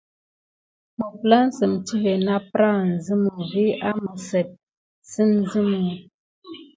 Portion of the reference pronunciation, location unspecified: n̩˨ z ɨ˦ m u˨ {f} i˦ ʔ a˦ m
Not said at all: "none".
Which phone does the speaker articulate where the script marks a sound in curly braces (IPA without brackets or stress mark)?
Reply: v